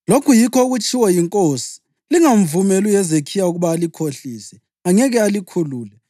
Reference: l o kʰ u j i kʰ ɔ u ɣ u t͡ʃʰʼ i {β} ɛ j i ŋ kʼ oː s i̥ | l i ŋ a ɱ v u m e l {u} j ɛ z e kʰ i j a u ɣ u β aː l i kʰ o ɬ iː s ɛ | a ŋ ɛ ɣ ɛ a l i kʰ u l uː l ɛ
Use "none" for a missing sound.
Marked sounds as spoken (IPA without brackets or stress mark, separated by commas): w, u